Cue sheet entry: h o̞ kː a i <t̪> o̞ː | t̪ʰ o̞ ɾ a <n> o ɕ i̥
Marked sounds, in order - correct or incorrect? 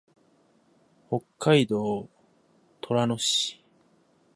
incorrect: d̪, correct

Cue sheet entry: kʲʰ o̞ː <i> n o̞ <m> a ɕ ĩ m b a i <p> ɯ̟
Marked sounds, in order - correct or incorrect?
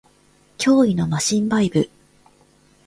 correct, correct, incorrect: b

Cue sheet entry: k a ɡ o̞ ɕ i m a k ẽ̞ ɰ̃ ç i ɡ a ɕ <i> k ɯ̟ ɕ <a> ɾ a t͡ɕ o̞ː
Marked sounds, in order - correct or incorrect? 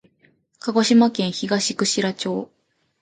correct, incorrect: i

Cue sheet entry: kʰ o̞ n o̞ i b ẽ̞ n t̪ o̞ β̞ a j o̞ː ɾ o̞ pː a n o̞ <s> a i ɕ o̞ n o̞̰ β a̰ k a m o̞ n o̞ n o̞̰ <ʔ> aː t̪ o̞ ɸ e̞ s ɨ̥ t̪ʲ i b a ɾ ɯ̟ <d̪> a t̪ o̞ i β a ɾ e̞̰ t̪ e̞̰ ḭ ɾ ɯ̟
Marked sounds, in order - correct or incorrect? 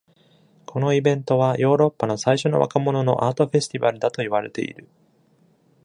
correct, correct, correct

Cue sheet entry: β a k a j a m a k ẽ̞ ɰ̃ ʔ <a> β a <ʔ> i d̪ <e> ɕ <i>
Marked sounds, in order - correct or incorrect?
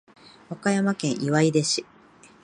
incorrect: i, incorrect: none, correct, correct

